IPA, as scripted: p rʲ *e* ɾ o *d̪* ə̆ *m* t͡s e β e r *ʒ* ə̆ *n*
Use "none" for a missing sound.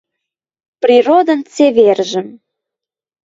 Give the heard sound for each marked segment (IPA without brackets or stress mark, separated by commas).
i, d̪, n, ʒ, m